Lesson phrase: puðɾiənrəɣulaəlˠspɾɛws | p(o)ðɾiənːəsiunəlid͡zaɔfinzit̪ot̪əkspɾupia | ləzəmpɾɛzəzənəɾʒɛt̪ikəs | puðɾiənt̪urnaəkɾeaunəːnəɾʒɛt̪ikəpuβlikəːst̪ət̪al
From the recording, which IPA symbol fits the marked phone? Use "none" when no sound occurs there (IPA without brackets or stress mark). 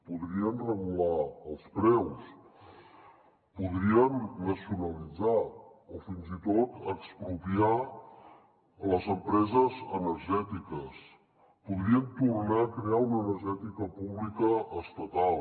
u